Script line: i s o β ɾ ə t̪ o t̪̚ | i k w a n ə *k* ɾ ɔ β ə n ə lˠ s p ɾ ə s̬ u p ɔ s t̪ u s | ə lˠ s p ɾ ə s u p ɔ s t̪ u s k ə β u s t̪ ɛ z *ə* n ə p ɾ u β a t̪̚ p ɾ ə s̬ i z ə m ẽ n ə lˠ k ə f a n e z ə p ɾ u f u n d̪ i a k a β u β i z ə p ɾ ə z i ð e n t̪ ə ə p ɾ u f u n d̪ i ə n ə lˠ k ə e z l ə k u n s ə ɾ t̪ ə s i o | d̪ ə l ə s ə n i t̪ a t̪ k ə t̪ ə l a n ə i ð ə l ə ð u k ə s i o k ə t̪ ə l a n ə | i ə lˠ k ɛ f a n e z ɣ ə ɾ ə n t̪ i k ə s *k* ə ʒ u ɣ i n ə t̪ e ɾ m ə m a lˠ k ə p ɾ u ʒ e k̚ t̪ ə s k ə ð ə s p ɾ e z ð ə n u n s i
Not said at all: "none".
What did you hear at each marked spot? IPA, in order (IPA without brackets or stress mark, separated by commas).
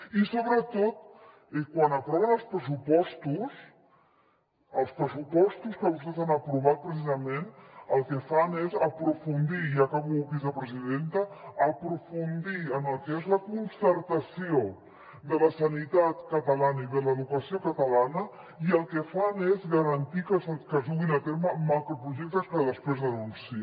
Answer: p, a, k